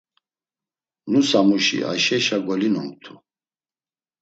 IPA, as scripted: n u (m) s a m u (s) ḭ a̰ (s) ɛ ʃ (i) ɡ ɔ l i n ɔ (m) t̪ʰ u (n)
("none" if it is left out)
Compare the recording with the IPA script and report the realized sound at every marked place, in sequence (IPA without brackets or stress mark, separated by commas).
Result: none, ʃ, ʃ, a, m, none